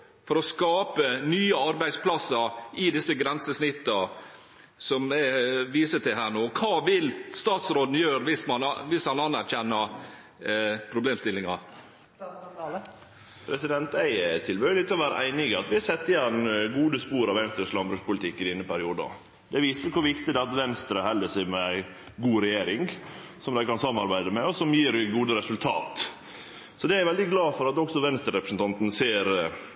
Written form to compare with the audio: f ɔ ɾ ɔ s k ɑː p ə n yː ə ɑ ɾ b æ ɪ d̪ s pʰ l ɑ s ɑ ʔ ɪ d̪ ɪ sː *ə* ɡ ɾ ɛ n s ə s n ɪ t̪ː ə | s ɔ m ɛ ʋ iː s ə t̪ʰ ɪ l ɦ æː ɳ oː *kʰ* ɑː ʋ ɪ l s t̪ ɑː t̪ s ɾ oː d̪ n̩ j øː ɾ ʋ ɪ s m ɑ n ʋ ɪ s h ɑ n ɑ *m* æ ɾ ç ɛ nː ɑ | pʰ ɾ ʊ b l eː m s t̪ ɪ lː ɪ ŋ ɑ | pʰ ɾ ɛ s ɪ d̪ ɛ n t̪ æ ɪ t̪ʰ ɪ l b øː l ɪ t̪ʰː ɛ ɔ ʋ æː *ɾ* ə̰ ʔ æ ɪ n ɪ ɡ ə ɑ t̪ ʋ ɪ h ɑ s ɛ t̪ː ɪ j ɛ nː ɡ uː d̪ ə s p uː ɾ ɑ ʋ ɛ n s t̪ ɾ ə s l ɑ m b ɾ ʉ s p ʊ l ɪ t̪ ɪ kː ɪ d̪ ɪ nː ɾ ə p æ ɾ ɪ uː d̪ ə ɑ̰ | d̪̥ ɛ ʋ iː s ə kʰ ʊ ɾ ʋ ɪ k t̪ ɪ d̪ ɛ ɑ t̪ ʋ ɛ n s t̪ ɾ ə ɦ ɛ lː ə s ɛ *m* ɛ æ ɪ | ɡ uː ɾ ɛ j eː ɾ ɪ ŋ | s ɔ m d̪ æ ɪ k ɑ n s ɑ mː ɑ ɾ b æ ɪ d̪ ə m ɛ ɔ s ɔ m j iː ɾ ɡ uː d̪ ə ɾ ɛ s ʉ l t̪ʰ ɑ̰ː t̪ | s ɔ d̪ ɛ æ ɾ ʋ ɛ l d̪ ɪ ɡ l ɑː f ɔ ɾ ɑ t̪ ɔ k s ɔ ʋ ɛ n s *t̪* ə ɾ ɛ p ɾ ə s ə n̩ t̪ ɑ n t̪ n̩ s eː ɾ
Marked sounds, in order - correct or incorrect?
correct, correct, incorrect: n, correct, correct, correct

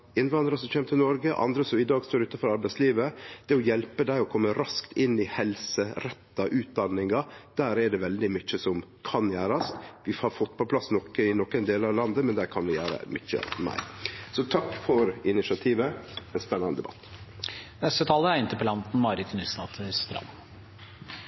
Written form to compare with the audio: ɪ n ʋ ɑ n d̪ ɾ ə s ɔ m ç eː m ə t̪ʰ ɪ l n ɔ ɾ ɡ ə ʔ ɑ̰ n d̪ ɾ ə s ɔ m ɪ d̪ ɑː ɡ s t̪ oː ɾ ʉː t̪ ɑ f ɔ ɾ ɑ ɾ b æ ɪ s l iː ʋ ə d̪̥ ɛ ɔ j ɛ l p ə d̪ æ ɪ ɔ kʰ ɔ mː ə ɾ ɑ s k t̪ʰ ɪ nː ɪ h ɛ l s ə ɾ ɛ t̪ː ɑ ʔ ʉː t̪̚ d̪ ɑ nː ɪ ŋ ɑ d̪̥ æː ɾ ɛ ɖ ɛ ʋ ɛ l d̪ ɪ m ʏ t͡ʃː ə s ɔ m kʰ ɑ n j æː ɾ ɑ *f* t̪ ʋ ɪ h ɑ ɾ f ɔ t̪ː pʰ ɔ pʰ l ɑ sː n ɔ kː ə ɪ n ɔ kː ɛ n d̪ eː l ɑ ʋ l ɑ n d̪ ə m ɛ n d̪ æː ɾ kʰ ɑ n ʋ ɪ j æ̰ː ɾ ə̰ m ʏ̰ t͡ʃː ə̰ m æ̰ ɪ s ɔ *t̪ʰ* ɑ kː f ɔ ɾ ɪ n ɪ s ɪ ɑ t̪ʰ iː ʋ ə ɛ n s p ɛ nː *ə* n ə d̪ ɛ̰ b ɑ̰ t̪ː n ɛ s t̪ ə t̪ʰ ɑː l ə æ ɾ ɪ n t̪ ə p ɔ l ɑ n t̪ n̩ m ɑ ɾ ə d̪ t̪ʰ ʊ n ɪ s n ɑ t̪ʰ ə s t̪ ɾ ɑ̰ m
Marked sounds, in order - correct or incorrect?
incorrect: s, correct, incorrect: ɑ

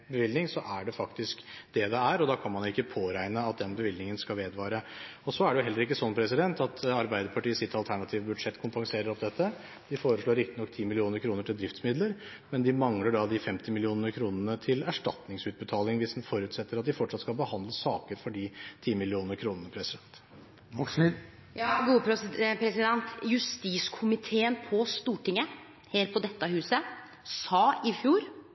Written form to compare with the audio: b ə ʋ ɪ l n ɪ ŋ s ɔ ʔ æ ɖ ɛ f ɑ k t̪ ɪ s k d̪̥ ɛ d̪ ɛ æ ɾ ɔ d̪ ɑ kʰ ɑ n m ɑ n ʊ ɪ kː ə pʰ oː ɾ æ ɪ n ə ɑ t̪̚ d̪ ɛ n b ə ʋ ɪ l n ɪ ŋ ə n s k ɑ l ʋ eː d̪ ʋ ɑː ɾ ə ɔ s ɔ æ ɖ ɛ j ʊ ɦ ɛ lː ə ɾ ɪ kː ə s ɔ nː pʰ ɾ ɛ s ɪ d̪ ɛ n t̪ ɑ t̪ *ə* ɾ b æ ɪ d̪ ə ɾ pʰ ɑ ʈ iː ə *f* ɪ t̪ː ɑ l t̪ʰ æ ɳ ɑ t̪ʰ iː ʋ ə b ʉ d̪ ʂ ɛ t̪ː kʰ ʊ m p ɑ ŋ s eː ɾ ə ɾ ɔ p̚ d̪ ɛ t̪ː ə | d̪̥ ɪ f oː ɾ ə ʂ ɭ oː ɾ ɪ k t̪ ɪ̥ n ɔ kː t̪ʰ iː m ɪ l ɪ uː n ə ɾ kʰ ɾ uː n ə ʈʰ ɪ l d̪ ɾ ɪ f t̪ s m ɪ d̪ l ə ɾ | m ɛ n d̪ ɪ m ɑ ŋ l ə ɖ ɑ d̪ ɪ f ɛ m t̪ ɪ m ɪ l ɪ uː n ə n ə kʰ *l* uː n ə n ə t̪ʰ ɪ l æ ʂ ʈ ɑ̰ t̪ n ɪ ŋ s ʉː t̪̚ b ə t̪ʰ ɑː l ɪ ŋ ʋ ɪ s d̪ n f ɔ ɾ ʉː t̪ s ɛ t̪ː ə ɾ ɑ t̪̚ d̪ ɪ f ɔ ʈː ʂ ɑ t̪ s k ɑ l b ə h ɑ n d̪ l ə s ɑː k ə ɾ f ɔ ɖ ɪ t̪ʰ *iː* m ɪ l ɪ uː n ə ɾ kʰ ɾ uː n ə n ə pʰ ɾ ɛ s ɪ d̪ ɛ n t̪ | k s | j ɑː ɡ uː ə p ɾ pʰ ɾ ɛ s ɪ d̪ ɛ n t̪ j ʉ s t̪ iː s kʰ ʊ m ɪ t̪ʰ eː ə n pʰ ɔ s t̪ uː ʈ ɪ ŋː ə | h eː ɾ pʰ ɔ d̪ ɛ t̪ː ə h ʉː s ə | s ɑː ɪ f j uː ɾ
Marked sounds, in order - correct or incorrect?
incorrect: ɑ, incorrect: s, incorrect: ɾ, correct

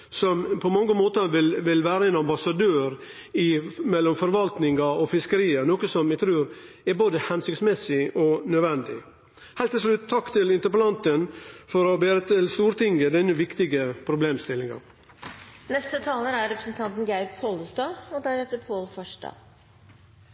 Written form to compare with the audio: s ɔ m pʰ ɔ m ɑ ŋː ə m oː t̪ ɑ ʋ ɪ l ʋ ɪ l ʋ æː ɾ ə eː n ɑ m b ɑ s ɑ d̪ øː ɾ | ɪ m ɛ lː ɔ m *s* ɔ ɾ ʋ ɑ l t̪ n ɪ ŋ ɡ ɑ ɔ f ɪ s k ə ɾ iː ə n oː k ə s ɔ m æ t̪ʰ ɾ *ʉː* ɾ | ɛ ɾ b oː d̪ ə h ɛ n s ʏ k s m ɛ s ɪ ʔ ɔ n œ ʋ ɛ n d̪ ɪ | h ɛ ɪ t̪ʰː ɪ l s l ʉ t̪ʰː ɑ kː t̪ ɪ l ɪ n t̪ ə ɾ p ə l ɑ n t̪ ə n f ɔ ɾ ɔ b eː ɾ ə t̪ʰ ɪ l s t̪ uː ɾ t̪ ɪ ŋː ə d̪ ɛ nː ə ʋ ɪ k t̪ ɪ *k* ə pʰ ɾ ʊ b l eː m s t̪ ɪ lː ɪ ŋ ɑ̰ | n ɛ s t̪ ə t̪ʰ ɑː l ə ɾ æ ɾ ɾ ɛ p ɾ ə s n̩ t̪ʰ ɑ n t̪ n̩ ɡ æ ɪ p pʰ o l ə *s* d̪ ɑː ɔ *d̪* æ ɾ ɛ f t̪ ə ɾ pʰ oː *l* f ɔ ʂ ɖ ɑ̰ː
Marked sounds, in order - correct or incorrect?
incorrect: f, correct, incorrect: ɡ, correct, correct, correct

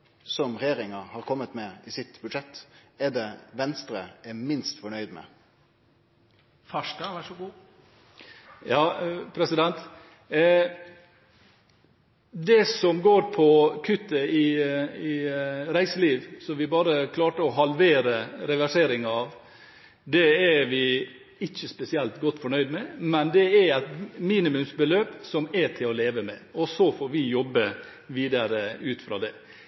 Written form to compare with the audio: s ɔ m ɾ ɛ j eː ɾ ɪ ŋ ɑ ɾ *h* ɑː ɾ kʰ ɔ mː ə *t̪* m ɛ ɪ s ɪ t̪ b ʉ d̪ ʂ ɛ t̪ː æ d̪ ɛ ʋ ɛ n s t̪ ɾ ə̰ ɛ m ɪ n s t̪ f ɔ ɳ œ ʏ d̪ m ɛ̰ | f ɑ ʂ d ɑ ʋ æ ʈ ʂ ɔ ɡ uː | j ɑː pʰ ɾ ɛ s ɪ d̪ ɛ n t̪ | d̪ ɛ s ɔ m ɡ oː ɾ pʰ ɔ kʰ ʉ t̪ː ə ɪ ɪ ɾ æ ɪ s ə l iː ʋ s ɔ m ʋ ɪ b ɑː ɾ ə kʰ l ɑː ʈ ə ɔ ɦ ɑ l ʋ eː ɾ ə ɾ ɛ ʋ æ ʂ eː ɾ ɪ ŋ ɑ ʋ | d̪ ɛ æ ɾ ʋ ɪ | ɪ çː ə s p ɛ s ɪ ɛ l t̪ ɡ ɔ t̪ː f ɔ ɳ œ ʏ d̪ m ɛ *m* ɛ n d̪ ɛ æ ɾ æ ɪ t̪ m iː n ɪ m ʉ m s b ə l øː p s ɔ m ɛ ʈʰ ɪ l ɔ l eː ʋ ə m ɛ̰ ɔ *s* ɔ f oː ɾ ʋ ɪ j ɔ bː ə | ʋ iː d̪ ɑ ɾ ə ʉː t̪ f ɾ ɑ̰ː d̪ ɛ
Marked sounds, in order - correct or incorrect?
correct, correct, correct, correct

